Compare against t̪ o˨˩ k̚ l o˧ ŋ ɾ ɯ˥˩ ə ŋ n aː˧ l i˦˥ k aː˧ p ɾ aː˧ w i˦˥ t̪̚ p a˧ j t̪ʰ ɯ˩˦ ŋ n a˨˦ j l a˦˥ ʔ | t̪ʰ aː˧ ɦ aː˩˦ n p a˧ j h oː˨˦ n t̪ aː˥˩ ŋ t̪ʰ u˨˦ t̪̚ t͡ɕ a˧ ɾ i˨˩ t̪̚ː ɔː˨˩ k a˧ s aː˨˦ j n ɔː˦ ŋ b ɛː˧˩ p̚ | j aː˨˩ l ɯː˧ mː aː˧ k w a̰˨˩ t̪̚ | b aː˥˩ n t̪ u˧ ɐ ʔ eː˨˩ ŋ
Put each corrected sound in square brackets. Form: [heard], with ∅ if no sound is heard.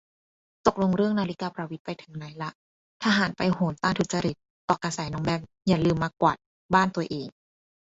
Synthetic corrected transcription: t̪ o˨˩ k̚ l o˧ ŋ ɾ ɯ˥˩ ə ŋ n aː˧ l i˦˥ k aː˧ p ɾ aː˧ w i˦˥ t̪̚ p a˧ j t̪ʰ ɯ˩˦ ŋ n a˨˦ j l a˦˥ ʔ | t̪ʰ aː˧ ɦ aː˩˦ n p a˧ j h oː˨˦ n t̪ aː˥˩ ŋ t̪ʰ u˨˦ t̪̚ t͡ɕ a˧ ɾ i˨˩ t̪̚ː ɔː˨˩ k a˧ s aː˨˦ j n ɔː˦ ŋ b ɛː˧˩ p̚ | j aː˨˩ l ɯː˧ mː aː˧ k w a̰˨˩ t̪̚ | b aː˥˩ n t̪ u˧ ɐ ʔ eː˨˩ ŋ